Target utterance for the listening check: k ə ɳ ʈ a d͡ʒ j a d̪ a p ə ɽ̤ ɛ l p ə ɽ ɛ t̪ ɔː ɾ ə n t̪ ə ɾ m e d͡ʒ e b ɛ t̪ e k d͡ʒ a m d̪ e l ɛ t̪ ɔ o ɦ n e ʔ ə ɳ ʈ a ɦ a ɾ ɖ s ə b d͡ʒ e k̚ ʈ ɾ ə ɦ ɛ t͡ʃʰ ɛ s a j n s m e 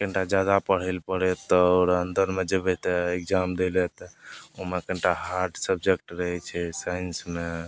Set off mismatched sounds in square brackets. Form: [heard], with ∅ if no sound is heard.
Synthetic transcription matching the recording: k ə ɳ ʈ a d͡ʒ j a d̪ a p ə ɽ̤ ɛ l p ə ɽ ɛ t̪ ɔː ɾ ə n [d̪] ə ɾ m e d͡ʒ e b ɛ t̪ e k d͡ʒ a m d̪ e l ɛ t̪ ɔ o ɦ [m] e [k] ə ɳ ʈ a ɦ a ɾ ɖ s ə b d͡ʒ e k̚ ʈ ɾ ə ɦ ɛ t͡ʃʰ ɛ s a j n s m e